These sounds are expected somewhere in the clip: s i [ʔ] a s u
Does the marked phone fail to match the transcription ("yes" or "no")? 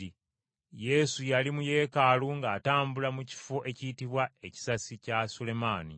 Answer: yes